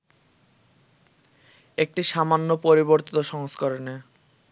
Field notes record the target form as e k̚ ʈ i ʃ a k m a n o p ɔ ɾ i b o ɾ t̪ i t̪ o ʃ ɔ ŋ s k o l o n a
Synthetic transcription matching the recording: e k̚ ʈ i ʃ a m a nː o p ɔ ɾ i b o ɾ t̪ i t̪ o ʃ ɔ ŋ s k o ɾ o n e